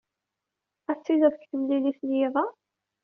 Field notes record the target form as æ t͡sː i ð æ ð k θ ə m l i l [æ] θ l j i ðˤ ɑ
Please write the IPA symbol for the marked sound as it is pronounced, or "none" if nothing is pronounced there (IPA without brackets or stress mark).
i